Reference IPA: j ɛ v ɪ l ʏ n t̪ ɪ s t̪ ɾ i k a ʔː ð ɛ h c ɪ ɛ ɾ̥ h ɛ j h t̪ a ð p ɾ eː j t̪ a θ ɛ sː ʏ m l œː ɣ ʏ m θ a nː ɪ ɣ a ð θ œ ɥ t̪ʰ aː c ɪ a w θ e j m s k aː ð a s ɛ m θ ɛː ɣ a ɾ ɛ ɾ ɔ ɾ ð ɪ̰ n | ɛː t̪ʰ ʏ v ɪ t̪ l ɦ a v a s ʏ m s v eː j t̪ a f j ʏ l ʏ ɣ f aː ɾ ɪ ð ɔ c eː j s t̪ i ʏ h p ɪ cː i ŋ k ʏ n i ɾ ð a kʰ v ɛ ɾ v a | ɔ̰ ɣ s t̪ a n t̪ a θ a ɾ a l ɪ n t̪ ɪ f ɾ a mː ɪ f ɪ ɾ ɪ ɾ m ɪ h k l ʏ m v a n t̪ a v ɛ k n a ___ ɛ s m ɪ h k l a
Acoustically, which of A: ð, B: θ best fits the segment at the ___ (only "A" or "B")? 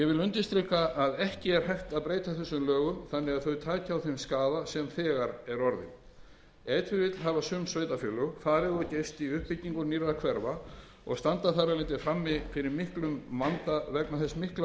B